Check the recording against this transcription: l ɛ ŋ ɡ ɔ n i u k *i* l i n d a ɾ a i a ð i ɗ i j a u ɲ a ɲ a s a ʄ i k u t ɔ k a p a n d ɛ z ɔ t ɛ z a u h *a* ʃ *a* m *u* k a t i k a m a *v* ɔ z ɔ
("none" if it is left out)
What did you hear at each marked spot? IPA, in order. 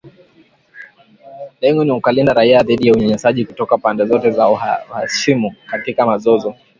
a, a, i, u, z

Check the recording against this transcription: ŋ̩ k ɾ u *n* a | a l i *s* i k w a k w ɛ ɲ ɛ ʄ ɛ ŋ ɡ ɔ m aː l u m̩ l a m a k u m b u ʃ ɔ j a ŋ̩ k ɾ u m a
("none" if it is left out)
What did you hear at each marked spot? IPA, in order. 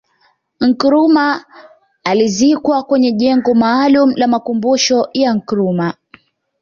m, z

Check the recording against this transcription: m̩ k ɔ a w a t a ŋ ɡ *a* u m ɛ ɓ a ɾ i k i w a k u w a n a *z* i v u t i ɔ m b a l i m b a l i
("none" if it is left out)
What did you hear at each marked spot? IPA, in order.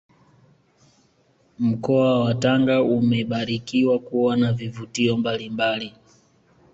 a, v

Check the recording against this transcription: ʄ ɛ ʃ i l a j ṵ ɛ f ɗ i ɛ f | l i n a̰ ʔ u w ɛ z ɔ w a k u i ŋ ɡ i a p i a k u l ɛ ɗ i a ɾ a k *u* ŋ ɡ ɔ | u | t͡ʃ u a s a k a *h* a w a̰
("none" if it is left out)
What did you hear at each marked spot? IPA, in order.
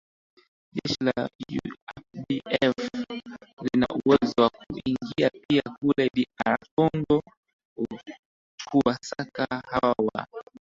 ɔ, h

